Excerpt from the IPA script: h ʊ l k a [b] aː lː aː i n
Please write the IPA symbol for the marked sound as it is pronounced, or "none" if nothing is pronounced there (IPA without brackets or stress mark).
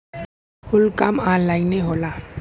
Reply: m